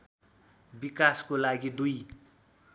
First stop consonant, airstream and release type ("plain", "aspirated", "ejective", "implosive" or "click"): plain